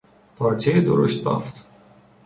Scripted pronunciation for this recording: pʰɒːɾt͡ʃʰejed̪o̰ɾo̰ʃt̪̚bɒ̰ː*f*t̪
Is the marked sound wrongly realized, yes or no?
no